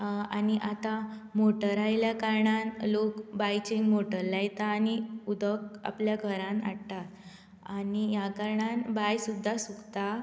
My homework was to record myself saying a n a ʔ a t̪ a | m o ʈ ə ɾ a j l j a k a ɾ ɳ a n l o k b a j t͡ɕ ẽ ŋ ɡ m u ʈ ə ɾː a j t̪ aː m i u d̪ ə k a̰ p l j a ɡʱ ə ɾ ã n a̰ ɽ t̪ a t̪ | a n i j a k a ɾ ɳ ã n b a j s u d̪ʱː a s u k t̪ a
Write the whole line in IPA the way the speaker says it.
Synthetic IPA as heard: a n i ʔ a t̪ a | m o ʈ ə ɾ a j l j a k a ɾ ɳ a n l o k b a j t͡ɕ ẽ ŋ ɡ m o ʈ ə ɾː a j t̪ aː n i u d̪ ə k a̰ p l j a ɡʱ ə ɾ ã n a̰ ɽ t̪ a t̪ | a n i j a k a ɾ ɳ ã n b a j s u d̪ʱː a s u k t̪ a

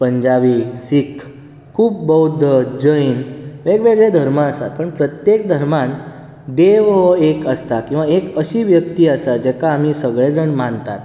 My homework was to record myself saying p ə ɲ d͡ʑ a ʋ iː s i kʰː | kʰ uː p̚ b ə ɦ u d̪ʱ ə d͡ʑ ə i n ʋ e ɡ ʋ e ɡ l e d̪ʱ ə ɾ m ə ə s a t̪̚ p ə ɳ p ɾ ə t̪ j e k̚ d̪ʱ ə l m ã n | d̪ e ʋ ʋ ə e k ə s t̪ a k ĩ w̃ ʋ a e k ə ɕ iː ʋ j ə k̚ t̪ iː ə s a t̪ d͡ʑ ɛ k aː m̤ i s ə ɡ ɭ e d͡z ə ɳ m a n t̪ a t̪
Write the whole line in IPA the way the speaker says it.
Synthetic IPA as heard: p ə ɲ d͡ʑ a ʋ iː s i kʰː | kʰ uː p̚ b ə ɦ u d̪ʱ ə d͡ʑ ə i n ʋ e ɡ ʋ e ɡ ɭ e d̪ʱ ə ɾ m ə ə s a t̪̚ p ə ɳ p ɾ ə t̪ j e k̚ d̪ʱ ə ɾ m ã n | d̪ e ʋ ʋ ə e k ə s t̪ a k ĩ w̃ ʋ a e k ə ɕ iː ʋ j ə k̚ t̪ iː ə s a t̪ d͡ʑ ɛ k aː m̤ i s ə ɡ ɭ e d͡z ə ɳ m a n t̪ a t̪

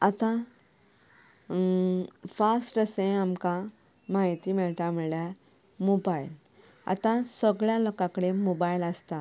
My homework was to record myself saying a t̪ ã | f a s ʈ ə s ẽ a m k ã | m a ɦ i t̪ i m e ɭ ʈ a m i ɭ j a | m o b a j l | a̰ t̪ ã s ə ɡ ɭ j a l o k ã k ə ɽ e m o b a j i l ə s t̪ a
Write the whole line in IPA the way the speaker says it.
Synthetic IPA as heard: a t̪ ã | f a s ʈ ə s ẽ a m k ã | m a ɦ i t̪ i m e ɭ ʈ a m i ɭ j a | m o b a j l | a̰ t̪ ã s ə ɡ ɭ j a l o k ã k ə ɽ e m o b a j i l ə s t̪ a

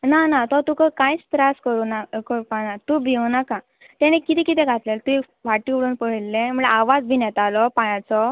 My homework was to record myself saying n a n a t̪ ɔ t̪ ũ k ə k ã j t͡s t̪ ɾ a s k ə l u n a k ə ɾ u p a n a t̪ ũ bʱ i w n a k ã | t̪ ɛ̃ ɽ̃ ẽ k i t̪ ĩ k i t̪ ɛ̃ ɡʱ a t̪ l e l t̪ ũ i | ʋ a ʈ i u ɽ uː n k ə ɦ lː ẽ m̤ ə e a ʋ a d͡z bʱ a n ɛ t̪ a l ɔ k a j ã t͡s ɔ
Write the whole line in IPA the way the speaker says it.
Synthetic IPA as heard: n a n a t̪ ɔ t̪ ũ k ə k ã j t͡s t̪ ɾ a s k ə ɾ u n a k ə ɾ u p a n a t̪ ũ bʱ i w n a k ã | t̪ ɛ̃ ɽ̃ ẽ k i t̪ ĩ k i t̪ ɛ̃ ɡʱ a t̪ l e l t̪ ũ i | ʋ a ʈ i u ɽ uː n p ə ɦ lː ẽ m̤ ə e a ʋ a d͡z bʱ i n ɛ t̪ a l ɔ p a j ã t͡s ɔ

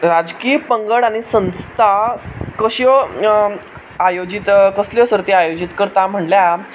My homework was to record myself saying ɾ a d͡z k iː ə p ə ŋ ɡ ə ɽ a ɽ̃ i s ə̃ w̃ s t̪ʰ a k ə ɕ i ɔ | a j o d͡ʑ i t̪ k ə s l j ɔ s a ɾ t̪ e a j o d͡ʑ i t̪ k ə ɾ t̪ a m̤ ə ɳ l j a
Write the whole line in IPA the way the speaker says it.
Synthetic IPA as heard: ɾ a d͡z k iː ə p ə ŋ ɡ ə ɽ a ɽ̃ i s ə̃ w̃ s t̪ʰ a k ə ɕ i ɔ | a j o d͡ʑ i t̪ k ə s l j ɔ s ə ɾ t̪ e a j o d͡ʑ i t̪ k ə ɾ t̪ a m̤ ə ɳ l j a

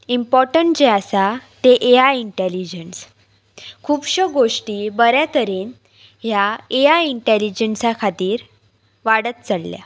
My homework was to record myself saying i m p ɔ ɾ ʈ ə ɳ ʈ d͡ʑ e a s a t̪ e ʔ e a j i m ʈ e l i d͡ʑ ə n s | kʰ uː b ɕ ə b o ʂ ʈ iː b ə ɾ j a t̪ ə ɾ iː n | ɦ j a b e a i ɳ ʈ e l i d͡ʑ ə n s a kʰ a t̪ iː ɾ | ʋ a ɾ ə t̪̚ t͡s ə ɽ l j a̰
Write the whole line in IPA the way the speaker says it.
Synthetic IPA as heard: i m p ɔ ɾ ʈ ə ɳ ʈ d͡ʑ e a s a t̪ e ʔ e a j i ɳ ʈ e l i d͡ʑ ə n s | kʰ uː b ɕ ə ɡ o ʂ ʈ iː b ə ɾ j a t̪ ə ɾ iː n | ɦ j a e a i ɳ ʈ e l i d͡ʑ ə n s a kʰ a t̪ iː ɾ | ʋ a ɽ ə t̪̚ t͡s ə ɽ l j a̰

